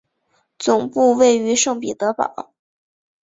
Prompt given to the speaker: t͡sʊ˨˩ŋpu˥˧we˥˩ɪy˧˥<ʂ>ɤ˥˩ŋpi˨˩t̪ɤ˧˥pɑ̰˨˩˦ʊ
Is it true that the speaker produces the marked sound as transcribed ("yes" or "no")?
yes